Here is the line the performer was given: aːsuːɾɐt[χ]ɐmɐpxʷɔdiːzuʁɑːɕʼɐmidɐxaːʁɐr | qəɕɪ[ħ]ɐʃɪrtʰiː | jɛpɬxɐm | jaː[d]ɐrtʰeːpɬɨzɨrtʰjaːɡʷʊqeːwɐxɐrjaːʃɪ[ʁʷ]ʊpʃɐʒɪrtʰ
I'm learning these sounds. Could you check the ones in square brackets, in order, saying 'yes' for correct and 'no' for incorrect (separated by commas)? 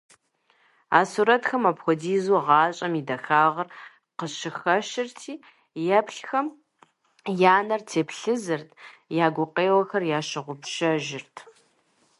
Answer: no, no, no, yes